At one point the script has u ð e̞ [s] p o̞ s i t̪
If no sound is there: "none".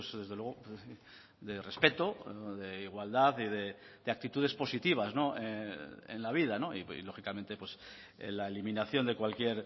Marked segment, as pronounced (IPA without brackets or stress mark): s